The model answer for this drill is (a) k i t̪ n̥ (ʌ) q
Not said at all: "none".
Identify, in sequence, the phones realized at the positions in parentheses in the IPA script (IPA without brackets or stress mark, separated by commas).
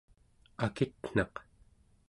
a, ɑ